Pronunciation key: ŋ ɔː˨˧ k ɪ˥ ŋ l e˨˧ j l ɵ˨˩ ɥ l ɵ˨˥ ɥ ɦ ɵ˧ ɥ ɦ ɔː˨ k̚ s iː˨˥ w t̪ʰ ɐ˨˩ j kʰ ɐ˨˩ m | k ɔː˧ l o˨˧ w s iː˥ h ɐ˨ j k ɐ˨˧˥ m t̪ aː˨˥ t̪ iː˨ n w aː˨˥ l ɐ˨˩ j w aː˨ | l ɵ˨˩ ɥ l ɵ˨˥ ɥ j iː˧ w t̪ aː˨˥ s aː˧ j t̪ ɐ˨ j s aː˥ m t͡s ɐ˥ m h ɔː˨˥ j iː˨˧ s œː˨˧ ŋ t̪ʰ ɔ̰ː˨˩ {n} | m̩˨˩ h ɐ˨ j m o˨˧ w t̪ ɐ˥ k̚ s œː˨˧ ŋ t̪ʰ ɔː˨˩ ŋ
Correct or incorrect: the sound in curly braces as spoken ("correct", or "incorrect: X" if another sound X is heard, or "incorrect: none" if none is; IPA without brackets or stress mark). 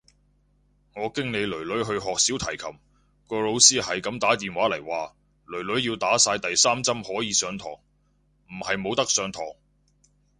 incorrect: ŋ